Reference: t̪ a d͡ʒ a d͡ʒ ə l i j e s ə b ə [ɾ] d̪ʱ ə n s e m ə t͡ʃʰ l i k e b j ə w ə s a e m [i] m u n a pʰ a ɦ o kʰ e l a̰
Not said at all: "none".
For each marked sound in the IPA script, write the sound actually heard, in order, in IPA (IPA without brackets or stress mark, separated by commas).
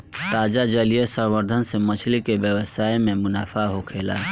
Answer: ɾ, e